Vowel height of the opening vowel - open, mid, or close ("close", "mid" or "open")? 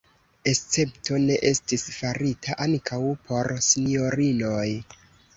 mid